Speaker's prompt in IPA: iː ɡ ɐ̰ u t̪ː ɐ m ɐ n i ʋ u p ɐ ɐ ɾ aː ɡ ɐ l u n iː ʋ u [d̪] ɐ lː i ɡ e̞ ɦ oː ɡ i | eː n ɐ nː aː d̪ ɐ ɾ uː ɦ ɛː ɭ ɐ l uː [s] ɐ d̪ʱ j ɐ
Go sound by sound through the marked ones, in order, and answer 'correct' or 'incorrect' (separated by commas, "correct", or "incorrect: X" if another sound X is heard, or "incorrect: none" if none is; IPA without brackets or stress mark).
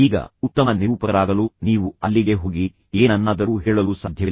incorrect: none, correct